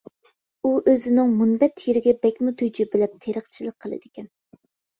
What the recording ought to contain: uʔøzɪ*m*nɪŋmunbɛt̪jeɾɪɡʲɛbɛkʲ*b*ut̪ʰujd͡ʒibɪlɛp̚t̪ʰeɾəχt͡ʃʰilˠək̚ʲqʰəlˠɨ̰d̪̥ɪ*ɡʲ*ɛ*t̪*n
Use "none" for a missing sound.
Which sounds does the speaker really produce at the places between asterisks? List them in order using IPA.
none, m, kʲ, none

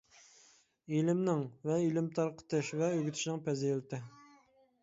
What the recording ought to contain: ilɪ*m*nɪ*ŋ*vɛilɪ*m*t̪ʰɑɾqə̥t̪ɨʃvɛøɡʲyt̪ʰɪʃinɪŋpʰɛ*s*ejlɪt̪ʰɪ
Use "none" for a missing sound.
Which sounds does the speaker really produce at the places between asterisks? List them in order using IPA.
m, ŋ, m, z

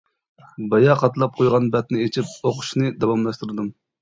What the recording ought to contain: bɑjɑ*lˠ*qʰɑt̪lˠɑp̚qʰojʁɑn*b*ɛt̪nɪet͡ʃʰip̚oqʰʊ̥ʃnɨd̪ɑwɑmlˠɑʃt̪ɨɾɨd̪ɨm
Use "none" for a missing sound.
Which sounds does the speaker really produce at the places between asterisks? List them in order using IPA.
none, b

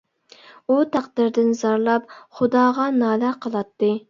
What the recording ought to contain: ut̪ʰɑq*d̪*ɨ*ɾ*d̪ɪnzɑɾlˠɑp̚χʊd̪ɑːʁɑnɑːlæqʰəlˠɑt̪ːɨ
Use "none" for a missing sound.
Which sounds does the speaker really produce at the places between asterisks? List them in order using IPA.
d̪, ɾ

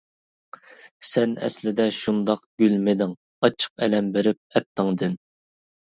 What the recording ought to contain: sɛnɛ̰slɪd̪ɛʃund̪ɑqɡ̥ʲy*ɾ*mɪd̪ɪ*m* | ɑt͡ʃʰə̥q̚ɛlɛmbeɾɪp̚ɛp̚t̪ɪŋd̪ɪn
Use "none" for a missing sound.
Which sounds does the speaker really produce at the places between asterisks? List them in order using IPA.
l, ŋ

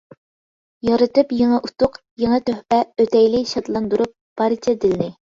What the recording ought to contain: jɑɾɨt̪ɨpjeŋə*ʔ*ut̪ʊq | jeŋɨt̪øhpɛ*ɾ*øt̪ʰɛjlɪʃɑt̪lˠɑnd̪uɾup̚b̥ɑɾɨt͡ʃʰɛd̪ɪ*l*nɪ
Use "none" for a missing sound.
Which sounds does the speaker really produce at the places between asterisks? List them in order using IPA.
ʔ, none, l

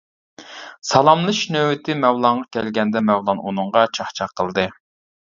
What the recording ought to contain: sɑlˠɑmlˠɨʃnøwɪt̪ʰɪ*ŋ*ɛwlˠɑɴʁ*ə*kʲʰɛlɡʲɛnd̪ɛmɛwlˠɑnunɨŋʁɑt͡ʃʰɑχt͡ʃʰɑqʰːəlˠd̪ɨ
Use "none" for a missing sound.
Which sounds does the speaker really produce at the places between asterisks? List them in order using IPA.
m, ɑ

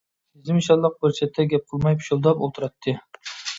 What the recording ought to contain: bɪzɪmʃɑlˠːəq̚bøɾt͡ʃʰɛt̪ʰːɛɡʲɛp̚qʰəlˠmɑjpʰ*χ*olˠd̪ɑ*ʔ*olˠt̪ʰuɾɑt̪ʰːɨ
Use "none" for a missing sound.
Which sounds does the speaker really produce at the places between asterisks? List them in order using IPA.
ʃ, p

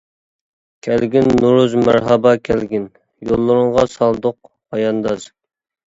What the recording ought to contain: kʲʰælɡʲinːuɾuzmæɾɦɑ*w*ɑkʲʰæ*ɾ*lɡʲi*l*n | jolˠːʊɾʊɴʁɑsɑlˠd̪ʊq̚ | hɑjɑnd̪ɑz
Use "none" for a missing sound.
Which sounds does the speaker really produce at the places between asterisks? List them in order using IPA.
b, none, none

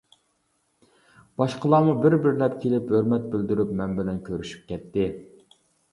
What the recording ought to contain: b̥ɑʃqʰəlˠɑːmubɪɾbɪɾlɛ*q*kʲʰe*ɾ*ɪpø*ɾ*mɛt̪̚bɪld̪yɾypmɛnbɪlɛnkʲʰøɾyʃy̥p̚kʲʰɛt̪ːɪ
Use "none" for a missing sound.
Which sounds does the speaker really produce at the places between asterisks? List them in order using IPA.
p, l, ɾ

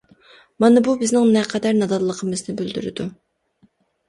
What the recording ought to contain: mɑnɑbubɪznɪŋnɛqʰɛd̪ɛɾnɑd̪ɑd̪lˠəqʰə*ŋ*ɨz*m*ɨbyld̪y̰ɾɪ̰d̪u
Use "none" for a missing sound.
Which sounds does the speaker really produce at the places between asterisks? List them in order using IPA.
m, n

